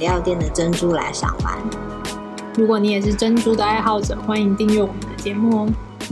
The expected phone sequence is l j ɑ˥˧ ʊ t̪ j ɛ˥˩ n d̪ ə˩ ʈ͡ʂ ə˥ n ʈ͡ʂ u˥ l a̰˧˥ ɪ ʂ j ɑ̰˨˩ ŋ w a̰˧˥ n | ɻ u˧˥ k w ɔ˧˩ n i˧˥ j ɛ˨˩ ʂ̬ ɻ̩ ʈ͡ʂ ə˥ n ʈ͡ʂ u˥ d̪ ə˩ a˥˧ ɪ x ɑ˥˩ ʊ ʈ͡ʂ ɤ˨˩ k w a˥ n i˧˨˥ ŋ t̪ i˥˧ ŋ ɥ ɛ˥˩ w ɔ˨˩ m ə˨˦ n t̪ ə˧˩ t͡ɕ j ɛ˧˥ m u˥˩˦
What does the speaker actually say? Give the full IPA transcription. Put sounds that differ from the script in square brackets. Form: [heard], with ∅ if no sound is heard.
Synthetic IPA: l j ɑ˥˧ ʊ t̪ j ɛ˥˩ n d̪ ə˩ ʈ͡ʂ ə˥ n ʈ͡ʂ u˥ l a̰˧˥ ɪ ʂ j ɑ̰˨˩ ŋ w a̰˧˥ n | ɻ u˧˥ k w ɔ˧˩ n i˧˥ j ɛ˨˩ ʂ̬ ɻ̩ ʈ͡ʂ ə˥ n ʈ͡ʂ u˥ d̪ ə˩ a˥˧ ɪ x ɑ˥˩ ʊ ʈ͡ʂ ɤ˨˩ [x] w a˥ n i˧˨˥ ŋ t̪ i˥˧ ŋ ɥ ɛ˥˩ w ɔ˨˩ m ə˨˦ n [d̪] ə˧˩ t͡ɕ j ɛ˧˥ m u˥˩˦